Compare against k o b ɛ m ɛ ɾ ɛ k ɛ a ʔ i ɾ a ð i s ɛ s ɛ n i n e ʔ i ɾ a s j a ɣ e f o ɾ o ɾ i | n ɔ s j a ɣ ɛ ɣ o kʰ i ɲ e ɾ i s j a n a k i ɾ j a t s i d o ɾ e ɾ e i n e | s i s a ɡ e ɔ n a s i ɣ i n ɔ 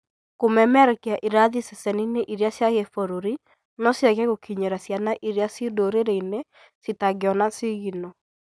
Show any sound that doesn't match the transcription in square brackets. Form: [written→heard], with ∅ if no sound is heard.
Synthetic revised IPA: k o [b→m] ɛ m ɛ ɾ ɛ k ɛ a ʔ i ɾ a ð i s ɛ s ɛ n i n e ʔ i ɾ a s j a ɣ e f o ɾ o ɾ i | n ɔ s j a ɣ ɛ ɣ o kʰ i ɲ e ɾ [i→a] s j a n a [k→ʔ] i ɾ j a [t→∅] s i d o ɾ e ɾ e i n e | s i [s→t] a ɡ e ɔ n a s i ɣ i n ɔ